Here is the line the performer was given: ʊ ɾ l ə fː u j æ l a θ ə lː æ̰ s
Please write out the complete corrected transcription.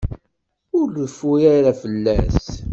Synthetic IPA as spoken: ʊ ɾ l ə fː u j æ ɾ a f ə lː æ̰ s